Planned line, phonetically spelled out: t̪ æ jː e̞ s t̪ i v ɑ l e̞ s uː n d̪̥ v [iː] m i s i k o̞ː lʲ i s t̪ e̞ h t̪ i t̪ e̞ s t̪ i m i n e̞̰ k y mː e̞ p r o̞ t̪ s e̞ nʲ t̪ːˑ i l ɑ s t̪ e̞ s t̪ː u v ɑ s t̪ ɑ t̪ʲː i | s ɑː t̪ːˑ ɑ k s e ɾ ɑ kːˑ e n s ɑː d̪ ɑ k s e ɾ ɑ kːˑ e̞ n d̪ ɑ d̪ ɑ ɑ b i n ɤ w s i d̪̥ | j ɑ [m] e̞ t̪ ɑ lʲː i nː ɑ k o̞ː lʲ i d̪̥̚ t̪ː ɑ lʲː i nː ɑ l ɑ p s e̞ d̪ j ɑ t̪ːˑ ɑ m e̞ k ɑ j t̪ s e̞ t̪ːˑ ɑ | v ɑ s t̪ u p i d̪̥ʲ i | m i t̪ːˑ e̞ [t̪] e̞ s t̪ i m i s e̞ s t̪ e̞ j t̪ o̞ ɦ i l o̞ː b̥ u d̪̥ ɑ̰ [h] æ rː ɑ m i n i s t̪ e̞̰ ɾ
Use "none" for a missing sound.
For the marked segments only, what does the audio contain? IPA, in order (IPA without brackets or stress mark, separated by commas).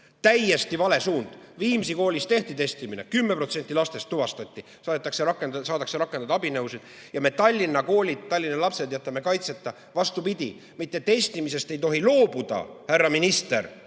iː, m, t̪, h